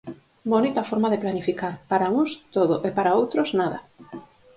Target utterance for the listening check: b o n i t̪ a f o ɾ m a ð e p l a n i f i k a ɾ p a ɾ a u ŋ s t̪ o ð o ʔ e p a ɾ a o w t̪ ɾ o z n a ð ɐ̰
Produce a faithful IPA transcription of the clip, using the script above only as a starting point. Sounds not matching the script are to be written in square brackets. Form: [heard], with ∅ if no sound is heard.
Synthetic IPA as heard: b o n i t̪ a f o ɾ m a ð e p l a n i f i k a ɾ p a ɾ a u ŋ s t̪ o ð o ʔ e p a ɾ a o w t̪ ɾ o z n a ð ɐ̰